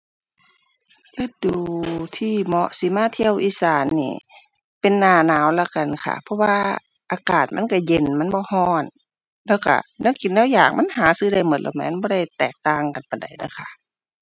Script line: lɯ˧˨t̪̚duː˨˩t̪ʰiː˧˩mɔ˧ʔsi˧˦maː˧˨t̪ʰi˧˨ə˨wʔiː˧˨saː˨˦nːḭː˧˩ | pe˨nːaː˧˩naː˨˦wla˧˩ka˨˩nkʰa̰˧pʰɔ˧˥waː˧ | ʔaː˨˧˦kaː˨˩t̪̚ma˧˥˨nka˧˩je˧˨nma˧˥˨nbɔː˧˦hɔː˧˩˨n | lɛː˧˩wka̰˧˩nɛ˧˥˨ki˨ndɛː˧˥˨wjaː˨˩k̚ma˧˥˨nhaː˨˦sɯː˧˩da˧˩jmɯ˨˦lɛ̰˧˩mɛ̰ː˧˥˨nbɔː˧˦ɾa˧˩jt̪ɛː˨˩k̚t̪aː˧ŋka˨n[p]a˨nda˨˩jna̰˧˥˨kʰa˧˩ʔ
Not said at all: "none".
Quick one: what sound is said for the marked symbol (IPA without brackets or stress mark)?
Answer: p